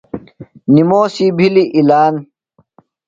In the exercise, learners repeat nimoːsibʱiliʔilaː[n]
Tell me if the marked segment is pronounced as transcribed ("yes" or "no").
yes